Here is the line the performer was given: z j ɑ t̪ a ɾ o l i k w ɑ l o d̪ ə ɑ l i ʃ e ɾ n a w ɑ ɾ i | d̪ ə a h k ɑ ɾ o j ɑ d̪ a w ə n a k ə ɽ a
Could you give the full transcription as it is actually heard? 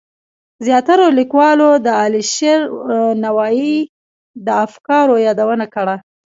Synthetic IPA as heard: z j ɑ t̪ a ɾ o l i k w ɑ l o d̪ ə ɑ l i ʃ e ɾ n a w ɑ i | d̪ ə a f k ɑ ɾ o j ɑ d̪ a w ə n a k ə ɽ a